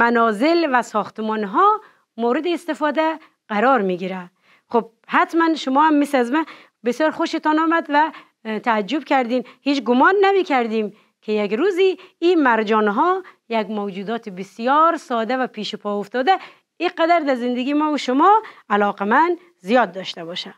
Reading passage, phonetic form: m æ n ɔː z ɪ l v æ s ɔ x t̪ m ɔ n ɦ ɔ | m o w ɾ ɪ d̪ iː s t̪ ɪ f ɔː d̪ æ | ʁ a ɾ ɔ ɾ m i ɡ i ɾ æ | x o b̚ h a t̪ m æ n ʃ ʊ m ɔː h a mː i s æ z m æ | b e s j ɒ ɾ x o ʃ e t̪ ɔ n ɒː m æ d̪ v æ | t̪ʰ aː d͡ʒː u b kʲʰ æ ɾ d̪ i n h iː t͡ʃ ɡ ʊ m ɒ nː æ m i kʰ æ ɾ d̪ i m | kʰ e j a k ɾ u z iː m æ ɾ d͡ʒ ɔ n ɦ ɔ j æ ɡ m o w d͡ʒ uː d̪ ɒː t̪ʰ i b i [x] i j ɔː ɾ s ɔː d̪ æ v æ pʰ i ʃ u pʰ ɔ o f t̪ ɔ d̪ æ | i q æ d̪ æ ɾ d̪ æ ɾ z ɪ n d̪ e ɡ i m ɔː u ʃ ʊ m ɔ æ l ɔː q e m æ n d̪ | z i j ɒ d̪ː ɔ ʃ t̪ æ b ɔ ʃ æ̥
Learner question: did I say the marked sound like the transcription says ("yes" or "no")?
no